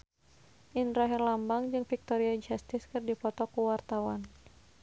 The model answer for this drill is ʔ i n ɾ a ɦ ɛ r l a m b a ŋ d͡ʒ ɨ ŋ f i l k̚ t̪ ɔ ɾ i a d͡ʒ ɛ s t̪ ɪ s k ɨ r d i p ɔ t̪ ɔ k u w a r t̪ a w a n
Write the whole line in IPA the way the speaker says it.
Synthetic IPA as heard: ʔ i n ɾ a ɦ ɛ r l a m b a ŋ d͡ʒ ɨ ŋ f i k̚ t̪ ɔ ɾ i a d͡ʒ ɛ s t̪ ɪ s k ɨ r d i p ɔ t̪ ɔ k u w a r t̪ a w a n